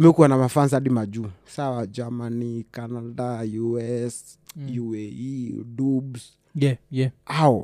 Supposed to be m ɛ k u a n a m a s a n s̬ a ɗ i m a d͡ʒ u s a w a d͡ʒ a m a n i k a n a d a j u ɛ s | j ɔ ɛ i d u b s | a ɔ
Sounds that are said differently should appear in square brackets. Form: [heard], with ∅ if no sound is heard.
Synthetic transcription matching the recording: m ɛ k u a n a m a [f] a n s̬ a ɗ i m a d͡ʒ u s a w a d͡ʒ a m a n i k a n a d a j u ɛ s | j [u] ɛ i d u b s | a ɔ